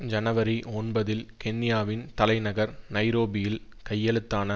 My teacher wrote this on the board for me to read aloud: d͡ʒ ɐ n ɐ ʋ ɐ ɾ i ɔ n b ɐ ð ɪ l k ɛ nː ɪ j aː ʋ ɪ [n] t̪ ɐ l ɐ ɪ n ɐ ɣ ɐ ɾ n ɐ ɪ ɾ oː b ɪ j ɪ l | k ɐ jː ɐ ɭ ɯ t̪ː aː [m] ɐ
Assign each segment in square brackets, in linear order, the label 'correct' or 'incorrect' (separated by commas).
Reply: correct, incorrect